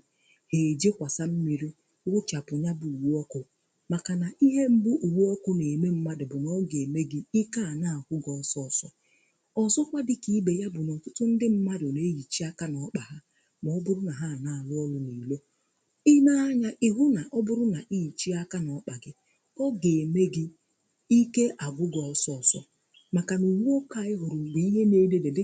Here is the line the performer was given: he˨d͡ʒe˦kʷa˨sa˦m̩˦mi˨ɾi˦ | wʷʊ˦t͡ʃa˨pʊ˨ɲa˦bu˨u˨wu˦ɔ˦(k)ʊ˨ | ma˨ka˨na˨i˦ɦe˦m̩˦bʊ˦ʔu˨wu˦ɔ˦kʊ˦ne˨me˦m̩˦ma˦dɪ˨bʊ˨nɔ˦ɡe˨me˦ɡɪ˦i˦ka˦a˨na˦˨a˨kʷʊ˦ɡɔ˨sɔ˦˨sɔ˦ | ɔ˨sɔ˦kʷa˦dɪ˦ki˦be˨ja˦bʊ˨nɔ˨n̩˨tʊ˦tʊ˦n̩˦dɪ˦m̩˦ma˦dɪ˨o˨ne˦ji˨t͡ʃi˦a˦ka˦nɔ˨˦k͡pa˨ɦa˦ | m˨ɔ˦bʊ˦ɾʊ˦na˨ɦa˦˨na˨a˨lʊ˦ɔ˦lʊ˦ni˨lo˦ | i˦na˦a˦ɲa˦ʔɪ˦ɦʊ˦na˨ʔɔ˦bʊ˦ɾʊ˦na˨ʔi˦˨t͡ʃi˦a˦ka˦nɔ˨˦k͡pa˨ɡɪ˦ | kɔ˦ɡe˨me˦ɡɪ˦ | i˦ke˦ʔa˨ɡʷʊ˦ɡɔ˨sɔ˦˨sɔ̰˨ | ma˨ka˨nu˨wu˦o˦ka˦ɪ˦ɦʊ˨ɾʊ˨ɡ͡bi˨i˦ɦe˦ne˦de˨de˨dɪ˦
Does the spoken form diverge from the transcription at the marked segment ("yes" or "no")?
no